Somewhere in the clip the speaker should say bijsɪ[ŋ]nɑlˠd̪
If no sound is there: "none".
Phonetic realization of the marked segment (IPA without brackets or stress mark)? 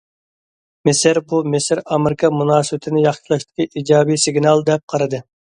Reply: ɡ